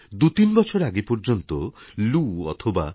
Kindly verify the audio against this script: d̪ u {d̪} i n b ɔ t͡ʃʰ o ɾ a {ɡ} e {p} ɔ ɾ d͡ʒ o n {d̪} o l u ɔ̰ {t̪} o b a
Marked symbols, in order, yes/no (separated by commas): no, yes, yes, no, no